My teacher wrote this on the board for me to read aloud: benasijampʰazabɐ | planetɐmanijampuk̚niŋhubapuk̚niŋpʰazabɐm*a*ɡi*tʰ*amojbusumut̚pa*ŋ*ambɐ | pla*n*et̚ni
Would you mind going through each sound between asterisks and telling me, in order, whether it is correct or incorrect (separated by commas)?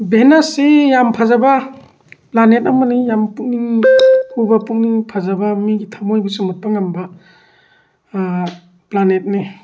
incorrect, correct, correct, correct